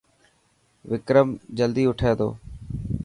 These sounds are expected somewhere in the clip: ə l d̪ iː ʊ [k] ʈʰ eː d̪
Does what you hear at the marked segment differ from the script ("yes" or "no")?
yes